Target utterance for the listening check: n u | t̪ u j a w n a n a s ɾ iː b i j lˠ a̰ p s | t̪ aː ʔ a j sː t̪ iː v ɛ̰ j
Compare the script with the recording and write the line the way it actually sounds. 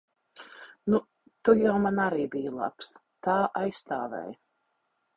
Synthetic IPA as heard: n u | t̪ u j a w m a n a ɾ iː b i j lˠ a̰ p s | t̪ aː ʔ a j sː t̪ aː v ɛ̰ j